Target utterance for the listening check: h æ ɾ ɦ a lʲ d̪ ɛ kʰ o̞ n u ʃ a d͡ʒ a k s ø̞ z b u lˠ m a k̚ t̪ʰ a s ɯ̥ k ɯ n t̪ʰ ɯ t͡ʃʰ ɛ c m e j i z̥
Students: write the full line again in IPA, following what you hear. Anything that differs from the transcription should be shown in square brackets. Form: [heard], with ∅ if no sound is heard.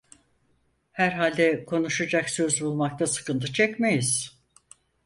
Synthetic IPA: h æ ɾ ɦ a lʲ d̪ ɛ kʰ o̞ n u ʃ a d͡ʒ a k s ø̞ z b u lˠ m a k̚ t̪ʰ a s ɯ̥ k ɯ n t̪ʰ ɯ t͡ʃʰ ɛ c m e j i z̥